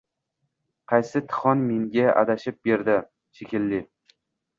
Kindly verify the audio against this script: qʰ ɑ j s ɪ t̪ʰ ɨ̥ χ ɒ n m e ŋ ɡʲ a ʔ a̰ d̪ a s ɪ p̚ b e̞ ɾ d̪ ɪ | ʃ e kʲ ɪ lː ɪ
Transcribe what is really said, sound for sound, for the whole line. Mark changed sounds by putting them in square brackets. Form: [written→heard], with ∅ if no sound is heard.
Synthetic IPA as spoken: qʰ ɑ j s ɪ t̪ʰ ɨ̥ χ ɒ n m e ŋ ɡʲ a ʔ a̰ d̪ a [s→ʃ] ɪ p̚ b e̞ ɾ d̪ ɪ | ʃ e kʲ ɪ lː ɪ